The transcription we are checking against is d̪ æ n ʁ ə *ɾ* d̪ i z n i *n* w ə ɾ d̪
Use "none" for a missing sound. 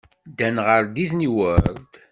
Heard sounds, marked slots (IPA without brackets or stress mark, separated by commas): ɾ, none